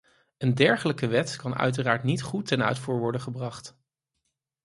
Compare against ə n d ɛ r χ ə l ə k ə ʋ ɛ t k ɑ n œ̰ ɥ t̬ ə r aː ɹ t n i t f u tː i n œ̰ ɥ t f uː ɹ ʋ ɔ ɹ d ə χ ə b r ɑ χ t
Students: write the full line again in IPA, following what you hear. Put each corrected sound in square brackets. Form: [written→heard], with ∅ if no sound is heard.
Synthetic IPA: ə n d ɛ [r→ɹ] χ ə l ə k ə ʋ ɛ t k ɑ n œ̰ ɥ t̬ ə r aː ɹ t n i t [f→χ] u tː [i→ɛ] n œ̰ ɥ t f uː ɹ ʋ ɔ ɹ d ə χ ə b r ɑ χ t